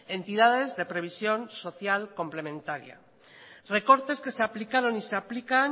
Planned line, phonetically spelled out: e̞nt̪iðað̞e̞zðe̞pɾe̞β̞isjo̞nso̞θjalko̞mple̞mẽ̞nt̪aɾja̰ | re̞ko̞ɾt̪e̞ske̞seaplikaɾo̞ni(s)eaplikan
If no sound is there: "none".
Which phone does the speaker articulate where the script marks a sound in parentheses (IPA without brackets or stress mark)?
s